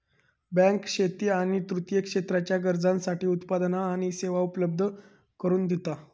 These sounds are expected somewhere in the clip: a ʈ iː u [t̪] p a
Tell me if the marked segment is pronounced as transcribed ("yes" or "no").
yes